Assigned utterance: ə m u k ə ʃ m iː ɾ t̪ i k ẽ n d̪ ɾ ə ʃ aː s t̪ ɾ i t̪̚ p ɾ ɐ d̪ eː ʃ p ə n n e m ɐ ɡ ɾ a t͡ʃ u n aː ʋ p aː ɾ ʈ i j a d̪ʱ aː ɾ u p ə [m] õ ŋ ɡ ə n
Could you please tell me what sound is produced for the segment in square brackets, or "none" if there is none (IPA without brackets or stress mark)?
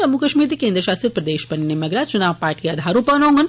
n